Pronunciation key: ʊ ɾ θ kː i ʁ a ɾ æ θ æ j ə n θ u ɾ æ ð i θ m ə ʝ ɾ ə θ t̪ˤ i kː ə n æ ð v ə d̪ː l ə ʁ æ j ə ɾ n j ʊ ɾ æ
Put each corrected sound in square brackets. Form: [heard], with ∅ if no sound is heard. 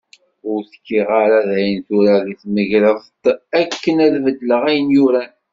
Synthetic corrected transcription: ʊ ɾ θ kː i ʁ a ɾ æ [ð] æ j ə n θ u ɾ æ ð i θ m ə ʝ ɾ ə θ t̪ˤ [æ] kː ə n æ ð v ə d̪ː l ə ʁ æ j ə [∅] n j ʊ ɾ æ